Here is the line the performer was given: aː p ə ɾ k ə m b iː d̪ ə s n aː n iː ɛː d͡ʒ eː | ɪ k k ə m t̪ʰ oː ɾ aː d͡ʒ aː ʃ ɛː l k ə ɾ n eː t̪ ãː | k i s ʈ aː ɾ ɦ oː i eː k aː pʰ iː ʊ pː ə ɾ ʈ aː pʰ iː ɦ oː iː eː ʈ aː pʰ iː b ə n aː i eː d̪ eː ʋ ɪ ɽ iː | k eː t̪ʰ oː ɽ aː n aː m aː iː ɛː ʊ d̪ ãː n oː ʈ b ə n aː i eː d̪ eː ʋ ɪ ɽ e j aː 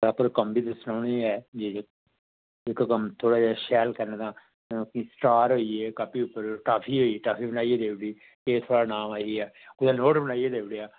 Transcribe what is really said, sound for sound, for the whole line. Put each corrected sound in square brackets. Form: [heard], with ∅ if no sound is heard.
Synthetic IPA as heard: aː p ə ɾ k ə m b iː d̪ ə s n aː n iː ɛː d͡ʒ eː | ɪ k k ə m t̪ʰ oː [ɽ] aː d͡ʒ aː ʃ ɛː l k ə ɾ n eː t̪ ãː | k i s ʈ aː ɾ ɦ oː i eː k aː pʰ iː ʊ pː ə ɾ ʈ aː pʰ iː ɦ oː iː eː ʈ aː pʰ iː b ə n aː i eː d̪ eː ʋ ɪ ɽ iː | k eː t̪ʰ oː ɽ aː n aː m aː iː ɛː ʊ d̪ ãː n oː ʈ b ə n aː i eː d̪ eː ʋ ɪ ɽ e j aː